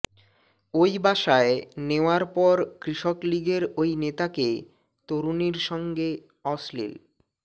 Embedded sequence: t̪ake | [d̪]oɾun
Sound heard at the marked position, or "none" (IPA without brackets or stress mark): t̪